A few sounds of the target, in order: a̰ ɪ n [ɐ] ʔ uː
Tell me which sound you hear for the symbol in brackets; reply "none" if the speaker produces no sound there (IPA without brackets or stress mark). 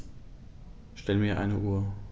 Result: ə